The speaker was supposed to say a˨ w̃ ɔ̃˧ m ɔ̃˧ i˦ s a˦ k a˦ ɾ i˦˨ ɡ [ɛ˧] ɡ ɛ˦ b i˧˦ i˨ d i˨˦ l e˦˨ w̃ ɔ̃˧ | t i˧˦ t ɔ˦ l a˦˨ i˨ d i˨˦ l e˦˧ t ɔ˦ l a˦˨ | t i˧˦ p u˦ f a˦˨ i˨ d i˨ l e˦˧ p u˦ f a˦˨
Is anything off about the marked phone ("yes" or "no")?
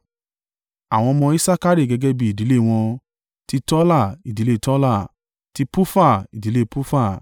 no